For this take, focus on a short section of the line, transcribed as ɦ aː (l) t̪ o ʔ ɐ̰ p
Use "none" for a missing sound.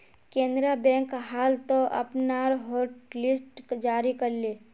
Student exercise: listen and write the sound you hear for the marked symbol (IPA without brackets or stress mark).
l